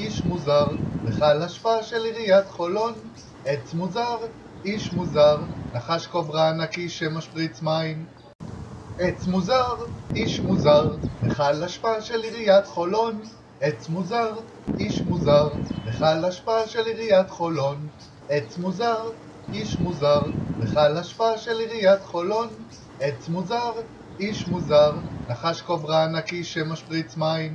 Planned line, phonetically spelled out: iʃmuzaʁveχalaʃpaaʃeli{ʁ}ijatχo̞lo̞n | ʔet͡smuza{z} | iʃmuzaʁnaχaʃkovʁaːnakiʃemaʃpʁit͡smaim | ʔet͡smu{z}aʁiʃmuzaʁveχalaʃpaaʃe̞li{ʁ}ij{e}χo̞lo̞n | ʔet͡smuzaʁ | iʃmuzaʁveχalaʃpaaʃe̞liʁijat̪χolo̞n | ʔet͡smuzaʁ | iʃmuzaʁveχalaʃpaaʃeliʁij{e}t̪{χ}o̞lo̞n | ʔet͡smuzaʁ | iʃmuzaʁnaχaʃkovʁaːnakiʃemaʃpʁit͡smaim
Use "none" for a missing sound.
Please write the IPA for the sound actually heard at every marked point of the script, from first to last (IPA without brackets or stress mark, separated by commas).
ʁ, ʁ, z, ʁ, a, a, χ